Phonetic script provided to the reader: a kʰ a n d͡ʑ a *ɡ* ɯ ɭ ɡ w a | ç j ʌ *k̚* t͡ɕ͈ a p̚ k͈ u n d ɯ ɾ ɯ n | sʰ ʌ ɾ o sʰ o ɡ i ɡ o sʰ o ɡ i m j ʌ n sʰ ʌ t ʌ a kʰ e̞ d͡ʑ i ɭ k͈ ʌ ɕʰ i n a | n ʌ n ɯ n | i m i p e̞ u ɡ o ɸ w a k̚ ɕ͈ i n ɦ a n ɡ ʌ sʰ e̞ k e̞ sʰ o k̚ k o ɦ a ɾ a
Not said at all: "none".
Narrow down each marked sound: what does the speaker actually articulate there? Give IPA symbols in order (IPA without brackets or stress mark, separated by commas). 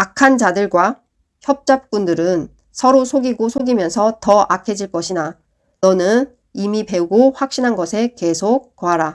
d, p̚